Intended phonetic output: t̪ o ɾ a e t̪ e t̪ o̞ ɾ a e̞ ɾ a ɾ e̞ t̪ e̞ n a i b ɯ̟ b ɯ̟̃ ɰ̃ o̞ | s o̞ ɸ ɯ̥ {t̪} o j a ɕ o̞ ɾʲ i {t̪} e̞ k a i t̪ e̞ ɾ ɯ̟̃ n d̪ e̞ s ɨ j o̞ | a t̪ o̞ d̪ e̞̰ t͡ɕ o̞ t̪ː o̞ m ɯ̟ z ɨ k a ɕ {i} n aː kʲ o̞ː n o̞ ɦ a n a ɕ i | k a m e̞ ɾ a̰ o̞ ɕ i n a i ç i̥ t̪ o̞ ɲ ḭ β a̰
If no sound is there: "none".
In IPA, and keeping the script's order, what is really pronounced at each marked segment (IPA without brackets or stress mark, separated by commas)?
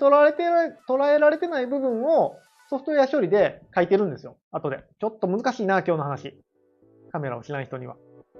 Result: t̪, d̪, iː